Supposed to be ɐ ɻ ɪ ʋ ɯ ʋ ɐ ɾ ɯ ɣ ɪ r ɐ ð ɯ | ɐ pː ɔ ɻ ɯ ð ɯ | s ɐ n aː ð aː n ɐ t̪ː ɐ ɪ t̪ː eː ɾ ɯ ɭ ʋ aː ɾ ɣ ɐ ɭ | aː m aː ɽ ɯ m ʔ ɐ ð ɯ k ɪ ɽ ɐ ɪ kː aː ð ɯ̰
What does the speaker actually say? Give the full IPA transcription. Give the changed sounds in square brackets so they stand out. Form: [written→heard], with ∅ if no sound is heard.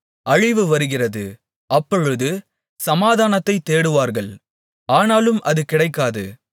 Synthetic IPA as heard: ɐ ɻ ɪ ʋ ɯ ʋ ɐ ɾ ɯ ɣ ɪ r ɐ ð ɯ | ɐ pː ɔ ɻ ɯ ð ɯ | s ɐ [n→m] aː ð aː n ɐ t̪ː ɐ ɪ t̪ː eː [ɾ→ɽ] ɯ [ɭ→∅] ʋ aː ɾ ɣ ɐ ɭ | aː [m→n] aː [ɽ→l] ɯ m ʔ ɐ ð ɯ k ɪ ɽ ɐ ɪ kː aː ð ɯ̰

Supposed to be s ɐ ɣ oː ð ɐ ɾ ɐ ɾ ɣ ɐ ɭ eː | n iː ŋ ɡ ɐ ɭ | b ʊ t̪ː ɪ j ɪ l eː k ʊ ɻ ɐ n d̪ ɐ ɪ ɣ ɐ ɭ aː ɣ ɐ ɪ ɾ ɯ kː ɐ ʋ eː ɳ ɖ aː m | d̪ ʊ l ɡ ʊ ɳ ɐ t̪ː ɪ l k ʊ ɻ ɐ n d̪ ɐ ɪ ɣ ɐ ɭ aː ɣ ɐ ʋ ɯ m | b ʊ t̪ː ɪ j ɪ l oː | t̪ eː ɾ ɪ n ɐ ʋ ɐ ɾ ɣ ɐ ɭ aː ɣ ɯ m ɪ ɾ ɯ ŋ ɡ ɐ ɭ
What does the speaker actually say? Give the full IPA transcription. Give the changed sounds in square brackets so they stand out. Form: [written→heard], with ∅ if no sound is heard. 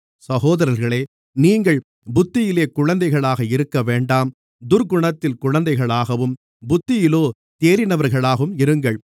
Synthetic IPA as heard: s ɐ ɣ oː ð ɐ ɾ ɐ ɾ ɣ ɐ ɭ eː | n iː ŋ ɡ ɐ ɭ | b ʊ t̪ː ɪ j ɪ l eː k ʊ ɻ ɐ n d̪ ɐ ɪ ɣ ɐ ɭ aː ɣ ɐ ɪ ɾ ɯ kː ɐ ʋ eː ɳ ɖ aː m | d̪ ʊ [l→ɾ] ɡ ʊ ɳ ɐ t̪ː ɪ l k ʊ ɻ ɐ n d̪ ɐ ɪ ɣ ɐ ɭ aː ɣ ɐ ʋ ɯ m | b ʊ t̪ː ɪ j ɪ l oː | t̪ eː ɾ ɪ n ɐ ʋ ɐ ɾ ɣ ɐ ɭ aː ɣ ɯ m ɪ ɾ ɯ ŋ ɡ ɐ ɭ

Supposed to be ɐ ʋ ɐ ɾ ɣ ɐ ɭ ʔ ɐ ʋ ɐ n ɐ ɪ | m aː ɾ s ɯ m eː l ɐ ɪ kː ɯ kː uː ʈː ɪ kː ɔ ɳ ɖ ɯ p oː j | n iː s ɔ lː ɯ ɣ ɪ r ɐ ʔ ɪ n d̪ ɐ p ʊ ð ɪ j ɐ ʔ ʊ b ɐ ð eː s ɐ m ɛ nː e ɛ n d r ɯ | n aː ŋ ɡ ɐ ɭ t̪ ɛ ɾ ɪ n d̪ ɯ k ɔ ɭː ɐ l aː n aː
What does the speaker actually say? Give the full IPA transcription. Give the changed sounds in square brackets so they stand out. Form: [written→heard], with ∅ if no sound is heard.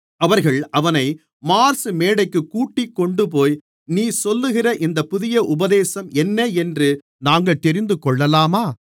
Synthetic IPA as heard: ɐ ʋ ɐ ɾ ɣ ɐ ɭ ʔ ɐ ʋ ɐ n ɐ ɪ | m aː ɾ s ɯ m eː [l→ɽ] ɐ ɪ kː ɯ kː uː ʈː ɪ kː ɔ ɳ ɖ ɯ p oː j | n iː s ɔ lː ɯ ɣ ɪ r ɐ ʔ ɪ n d̪ ɐ p ʊ ð ɪ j ɐ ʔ ʊ b ɐ ð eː s ɐ m ɛ nː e ɛ n d r ɯ | n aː ŋ ɡ ɐ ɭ t̪ ɛ ɾ ɪ n d̪ ɯ k ɔ ɭː ɐ l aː [n→m] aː

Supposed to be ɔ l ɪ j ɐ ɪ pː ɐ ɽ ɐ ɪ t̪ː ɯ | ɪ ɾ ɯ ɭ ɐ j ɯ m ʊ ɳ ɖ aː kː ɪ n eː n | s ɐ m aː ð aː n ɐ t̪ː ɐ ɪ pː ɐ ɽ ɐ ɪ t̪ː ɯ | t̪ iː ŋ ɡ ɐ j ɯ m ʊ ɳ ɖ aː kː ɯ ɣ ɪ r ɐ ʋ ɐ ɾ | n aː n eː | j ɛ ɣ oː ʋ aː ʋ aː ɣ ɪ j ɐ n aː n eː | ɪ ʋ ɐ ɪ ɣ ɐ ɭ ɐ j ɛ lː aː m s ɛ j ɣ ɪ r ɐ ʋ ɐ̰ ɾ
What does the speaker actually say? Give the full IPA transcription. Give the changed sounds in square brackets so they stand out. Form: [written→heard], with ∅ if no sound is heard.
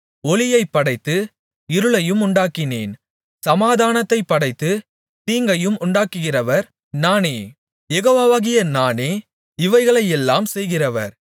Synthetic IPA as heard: ɔ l ɪ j ɐ ɪ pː ɐ ɽ ɐ ɪ t̪ː ɯ | ɪ ɾ ɯ ɭ ɐ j ɯ m ʊ ɳ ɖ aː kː ɪ n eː n | s ɐ m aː ð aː n ɐ t̪ː ɐ ɪ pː ɐ ɽ ɐ ɪ t̪ː ɯ | t̪ iː ŋ ɡ ɐ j ɯ m ʊ ɳ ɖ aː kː ɯ ɣ ɪ r ɐ ʋ ɐ ɾ | n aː n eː | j ɛ ɣ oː ʋ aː ʋ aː ɣ ɪ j ɐ n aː n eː | ɪ ʋ ɐ ɪ ɣ ɐ ɭ ɐ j ɛ lː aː m s ɛ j ɣ ɪ r ɐ ʋ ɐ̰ ɾ

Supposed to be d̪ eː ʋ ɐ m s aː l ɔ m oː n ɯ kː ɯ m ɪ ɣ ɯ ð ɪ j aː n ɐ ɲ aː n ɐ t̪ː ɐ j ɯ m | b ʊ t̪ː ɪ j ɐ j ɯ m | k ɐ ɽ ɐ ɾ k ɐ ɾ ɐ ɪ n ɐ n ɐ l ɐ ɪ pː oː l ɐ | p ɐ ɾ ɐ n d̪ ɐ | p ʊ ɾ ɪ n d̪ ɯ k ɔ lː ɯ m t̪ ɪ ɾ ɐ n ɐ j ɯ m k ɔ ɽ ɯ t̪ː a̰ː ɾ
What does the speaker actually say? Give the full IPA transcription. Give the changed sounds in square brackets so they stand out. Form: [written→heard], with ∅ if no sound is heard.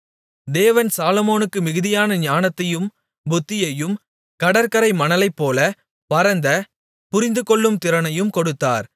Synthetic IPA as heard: d̪ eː ʋ ɐ [m→n] s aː l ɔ m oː n ɯ kː ɯ m ɪ ɣ ɯ ð ɪ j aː n ɐ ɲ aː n ɐ t̪ː ɐ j ɯ m | b ʊ t̪ː ɪ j ɐ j ɯ m | k ɐ ɽ ɐ ɾ k ɐ ɾ ɐ ɪ [n→m] ɐ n ɐ l ɐ ɪ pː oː l ɐ | p ɐ ɾ ɐ n d̪ ɐ | p ʊ ɾ ɪ n d̪ ɯ k ɔ [lː→ɭː] ɯ m t̪ ɪ ɾ ɐ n ɐ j ɯ m k ɔ ɽ ɯ t̪ː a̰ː ɾ

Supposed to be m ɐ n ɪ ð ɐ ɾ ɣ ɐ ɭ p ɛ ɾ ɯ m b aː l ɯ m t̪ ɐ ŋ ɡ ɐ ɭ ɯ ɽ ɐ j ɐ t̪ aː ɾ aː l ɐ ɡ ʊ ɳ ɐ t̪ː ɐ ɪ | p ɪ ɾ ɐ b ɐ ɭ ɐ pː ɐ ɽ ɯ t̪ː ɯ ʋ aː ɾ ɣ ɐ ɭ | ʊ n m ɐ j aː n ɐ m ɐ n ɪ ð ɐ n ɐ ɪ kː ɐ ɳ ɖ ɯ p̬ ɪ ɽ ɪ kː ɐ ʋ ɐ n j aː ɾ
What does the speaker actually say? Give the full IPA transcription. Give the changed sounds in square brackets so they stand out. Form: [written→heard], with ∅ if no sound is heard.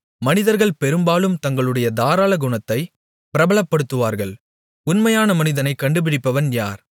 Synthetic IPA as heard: m ɐ n ɪ ð ɐ ɾ ɣ ɐ ɭ p ɛ ɾ ɯ m b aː l ɯ m t̪ ɐ ŋ ɡ ɐ ɭ ɯ ɽ ɐ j ɐ [t̪→d̪] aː ɾ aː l ɐ ɡ ʊ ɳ ɐ t̪ː ɐ ɪ | p ɪ ɾ ɐ b ɐ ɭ ɐ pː ɐ ɽ ɯ t̪ː ɯ ʋ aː ɾ ɣ ɐ ɭ | ʊ n m ɐ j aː n ɐ m ɐ n ɪ ð ɐ n ɐ ɪ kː ɐ ɳ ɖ ɯ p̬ ɪ ɽ ɪ [kː→pː] ɐ ʋ ɐ n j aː ɾ

